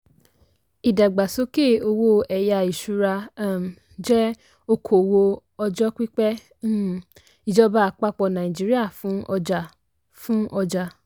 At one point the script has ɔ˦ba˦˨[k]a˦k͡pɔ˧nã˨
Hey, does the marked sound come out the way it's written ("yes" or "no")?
no